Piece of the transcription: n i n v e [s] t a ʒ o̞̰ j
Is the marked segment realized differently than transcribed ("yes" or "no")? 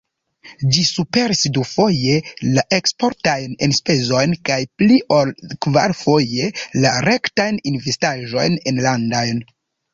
no